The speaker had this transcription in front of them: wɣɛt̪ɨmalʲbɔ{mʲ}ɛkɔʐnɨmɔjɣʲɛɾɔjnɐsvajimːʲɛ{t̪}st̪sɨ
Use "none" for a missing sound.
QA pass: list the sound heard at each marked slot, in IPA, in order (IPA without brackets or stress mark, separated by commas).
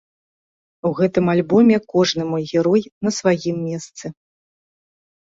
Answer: mʲ, none